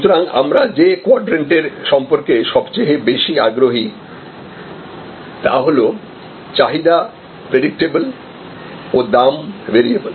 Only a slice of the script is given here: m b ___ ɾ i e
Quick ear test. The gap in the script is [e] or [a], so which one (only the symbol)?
e